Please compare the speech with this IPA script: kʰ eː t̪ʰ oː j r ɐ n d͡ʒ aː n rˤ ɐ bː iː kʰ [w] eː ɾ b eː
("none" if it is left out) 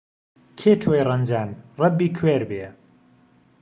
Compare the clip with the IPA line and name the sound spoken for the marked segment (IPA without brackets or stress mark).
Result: w